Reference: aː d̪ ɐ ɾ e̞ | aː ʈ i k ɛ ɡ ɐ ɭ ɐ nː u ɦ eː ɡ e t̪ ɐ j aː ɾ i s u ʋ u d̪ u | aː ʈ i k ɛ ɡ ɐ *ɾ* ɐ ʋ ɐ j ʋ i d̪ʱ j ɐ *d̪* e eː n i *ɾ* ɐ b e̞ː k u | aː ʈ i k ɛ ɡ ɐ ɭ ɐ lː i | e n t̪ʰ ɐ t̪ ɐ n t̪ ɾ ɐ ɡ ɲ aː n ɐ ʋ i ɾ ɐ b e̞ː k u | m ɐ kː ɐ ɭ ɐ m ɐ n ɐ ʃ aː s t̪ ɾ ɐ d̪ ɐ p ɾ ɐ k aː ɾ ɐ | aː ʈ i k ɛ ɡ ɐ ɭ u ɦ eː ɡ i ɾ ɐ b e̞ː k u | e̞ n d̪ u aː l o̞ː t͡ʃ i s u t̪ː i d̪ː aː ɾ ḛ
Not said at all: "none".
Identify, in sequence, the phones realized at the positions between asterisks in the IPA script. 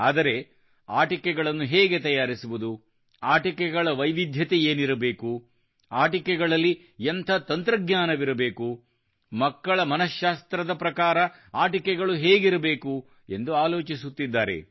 ɭ, t̪, ɾ

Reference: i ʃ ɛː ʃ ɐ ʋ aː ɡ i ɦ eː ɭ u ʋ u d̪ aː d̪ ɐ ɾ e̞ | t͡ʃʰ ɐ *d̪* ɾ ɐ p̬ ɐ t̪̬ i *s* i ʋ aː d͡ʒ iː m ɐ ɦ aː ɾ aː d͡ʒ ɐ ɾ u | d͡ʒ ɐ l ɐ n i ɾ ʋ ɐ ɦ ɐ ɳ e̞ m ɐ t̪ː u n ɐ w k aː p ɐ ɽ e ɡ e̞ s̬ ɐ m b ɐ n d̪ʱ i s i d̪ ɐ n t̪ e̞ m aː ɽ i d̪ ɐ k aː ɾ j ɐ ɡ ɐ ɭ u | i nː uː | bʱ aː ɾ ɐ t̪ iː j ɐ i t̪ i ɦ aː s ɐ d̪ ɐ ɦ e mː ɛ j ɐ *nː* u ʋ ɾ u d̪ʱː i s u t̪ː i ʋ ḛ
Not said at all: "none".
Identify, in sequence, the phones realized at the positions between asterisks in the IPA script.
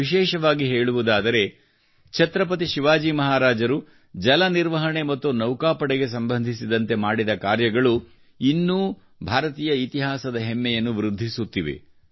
t̪, ʃ, nː

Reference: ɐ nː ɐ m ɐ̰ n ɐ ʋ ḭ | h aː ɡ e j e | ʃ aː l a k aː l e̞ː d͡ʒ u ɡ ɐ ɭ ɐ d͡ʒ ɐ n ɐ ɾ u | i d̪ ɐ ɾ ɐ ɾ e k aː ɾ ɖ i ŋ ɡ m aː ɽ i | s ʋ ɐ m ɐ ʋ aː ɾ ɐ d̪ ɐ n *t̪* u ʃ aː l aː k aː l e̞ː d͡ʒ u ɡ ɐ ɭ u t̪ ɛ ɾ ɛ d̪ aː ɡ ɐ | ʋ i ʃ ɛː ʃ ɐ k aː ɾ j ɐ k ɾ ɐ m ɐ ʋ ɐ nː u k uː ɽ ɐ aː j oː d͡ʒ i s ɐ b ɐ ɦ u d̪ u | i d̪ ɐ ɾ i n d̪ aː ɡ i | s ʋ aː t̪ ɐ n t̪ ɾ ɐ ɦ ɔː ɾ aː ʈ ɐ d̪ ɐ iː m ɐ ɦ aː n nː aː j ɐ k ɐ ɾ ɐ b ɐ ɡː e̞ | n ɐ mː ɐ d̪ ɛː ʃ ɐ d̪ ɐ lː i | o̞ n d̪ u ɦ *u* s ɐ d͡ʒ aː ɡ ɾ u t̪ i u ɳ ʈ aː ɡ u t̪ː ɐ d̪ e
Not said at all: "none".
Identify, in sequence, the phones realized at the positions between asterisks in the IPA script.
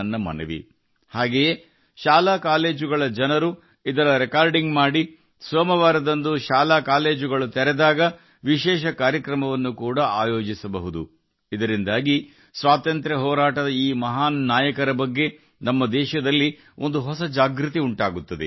d̪, ɔ

